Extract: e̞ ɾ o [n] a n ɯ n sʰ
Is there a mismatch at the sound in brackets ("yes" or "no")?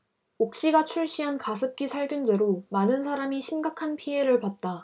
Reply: yes